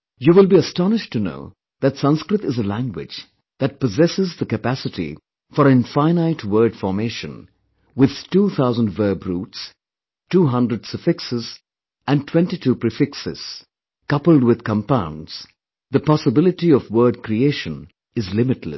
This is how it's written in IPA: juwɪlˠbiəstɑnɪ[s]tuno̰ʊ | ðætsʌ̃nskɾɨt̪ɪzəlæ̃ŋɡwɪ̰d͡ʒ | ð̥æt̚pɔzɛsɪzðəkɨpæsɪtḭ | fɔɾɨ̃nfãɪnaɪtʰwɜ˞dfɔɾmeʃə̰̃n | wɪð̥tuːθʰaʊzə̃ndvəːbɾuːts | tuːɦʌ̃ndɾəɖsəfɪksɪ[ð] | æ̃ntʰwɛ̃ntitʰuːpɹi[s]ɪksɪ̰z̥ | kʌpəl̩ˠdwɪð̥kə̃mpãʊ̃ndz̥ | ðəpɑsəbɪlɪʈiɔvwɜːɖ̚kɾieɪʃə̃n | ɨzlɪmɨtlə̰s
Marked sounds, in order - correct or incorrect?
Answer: incorrect: ʃ, incorrect: z, incorrect: f

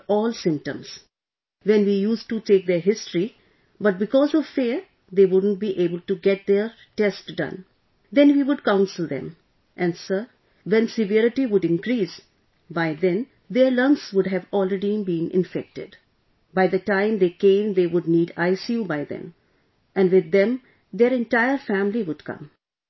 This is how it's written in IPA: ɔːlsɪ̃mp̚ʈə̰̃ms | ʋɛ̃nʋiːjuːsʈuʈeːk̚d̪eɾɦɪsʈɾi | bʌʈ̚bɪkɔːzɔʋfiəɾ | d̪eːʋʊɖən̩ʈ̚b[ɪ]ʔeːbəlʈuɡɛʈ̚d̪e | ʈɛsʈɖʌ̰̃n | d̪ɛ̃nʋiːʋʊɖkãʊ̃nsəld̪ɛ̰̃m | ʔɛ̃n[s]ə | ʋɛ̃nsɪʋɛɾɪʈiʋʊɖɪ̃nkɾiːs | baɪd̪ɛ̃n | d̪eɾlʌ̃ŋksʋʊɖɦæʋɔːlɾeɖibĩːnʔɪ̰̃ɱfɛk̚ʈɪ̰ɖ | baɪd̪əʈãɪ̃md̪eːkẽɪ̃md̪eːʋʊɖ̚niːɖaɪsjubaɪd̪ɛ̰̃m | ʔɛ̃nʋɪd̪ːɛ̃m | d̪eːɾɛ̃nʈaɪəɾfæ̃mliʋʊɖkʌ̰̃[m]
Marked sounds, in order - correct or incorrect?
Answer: incorrect: i, correct, correct

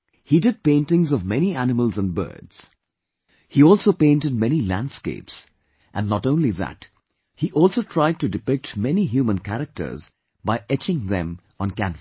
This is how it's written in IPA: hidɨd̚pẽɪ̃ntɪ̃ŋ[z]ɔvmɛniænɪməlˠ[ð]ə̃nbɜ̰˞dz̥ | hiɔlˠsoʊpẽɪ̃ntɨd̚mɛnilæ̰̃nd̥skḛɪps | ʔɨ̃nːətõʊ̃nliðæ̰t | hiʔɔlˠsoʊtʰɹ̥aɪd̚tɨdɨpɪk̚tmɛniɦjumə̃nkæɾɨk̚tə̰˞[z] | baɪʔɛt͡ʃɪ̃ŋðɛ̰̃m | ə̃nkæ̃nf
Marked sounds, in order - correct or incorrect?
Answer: correct, incorrect: z, correct

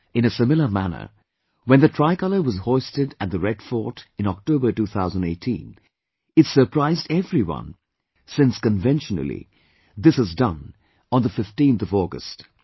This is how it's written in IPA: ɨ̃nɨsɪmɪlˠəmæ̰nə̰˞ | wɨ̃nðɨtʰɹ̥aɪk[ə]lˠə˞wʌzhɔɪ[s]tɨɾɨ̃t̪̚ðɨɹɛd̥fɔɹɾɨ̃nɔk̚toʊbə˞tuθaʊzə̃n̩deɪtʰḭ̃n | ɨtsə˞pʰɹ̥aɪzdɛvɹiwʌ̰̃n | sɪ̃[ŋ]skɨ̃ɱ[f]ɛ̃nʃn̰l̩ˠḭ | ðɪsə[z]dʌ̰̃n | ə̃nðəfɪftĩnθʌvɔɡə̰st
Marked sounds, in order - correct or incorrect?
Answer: incorrect: ʌ, correct, incorrect: n, incorrect: v, correct

